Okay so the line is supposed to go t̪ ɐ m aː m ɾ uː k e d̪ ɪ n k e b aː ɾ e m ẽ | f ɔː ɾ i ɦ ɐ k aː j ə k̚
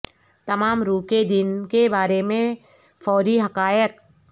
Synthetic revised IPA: t̪ ɐ m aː m ɾ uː k e d̪ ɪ n k e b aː ɾ e m ẽ | f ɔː ɾ i ɦ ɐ k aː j ə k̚